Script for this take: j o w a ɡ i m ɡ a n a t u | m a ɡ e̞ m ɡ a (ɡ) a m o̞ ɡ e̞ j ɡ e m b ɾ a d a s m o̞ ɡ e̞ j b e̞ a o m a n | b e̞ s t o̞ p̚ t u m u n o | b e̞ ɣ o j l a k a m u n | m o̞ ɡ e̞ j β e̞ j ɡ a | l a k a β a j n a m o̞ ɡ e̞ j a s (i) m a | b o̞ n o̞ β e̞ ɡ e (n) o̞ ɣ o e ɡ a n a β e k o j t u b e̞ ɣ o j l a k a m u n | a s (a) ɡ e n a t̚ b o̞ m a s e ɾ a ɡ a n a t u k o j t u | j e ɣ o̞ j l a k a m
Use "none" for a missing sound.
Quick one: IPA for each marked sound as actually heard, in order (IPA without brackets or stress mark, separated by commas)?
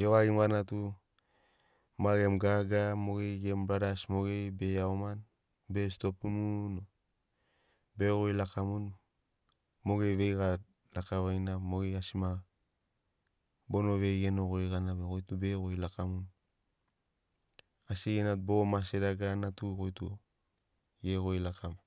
ɡ, i, n, i